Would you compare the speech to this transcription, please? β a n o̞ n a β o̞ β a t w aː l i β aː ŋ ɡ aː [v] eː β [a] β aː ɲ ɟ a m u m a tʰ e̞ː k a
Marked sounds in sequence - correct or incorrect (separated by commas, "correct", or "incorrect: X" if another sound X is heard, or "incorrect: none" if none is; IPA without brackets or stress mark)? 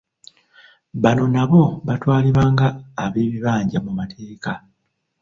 incorrect: β, incorrect: i